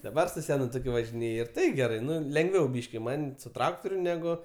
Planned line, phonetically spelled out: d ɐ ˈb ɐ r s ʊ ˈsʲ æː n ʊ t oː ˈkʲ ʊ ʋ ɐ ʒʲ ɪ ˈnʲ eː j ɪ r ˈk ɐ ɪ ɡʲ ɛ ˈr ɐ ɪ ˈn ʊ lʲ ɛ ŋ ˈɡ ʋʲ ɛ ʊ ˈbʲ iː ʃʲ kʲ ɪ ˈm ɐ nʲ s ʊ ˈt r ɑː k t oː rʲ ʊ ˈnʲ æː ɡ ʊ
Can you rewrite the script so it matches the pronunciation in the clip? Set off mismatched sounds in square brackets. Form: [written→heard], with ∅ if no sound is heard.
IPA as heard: d ɐ ˈb ɐ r s ʊ ˈsʲ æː n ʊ t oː ˈkʲ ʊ ʋ ɐ ʒʲ ɪ ˈnʲ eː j ɪ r [ˈk→ˈt] ɐ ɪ ɡʲ ɛ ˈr ɐ ɪ ˈn ʊ lʲ ɛ ŋ ˈɡ ʋʲ ɛ ʊ ˈbʲ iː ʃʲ kʲ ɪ ˈm ɐ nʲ s ʊ ˈt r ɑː k t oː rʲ ʊ ˈnʲ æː ɡ ʊ